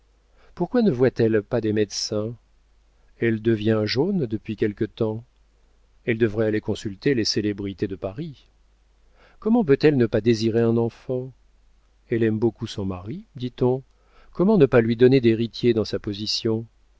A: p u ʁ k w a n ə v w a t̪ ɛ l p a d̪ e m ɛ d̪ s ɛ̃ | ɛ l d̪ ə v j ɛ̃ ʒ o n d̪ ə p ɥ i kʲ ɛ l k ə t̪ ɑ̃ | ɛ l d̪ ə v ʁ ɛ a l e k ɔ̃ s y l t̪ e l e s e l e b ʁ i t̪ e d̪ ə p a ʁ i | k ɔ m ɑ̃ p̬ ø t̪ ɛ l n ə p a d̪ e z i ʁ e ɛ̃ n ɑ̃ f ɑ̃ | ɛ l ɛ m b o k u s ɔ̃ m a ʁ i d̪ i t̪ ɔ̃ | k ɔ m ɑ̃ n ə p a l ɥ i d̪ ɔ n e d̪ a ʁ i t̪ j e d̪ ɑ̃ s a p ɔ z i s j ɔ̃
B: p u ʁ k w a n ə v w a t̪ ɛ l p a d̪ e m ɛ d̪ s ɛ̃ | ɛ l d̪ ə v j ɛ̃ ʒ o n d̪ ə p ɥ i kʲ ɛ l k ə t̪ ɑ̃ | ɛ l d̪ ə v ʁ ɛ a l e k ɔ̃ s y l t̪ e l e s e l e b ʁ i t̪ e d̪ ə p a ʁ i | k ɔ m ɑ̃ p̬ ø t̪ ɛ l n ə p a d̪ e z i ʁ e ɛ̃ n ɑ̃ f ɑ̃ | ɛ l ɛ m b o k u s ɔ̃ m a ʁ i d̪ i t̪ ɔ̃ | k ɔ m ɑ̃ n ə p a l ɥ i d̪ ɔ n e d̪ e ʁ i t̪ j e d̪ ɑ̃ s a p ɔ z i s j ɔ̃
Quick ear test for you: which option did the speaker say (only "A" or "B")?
B